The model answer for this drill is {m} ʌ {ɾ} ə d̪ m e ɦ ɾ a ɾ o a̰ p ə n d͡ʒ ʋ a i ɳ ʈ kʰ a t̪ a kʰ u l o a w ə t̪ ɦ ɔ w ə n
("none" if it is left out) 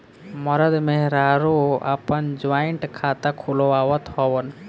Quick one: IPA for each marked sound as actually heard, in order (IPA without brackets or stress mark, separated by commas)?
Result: m, ɾ